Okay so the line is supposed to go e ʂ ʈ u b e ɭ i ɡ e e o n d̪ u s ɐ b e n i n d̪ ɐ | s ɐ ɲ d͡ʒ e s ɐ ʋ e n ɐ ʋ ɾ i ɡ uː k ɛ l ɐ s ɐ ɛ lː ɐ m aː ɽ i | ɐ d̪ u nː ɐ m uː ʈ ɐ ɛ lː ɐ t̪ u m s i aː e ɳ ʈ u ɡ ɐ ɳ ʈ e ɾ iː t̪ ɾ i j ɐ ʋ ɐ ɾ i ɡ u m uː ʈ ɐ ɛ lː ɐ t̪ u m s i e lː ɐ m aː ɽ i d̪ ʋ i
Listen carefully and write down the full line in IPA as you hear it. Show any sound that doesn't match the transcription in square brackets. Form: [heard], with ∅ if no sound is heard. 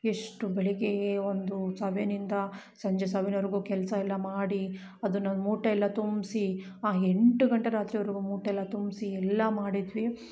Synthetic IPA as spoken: e ʂ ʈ u b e ɭ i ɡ e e o n d̪ u s ɐ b e n i n d̪ ɐ | s ɐ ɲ d͡ʒ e s ɐ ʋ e n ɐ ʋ ɾ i ɡ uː k ɛ l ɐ s ɐ ɛ lː ɐ m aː ɽ i | ɐ d̪ u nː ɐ m uː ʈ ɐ ɛ lː ɐ t̪ u m s i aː e ɳ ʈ u ɡ ɐ ɳ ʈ e ɾ [aː] t̪ ɾ i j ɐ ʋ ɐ ɾ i ɡ u m uː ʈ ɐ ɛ lː ɐ t̪ u m s i [ɛ] lː ɐ m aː ɽ i d̪ ʋ i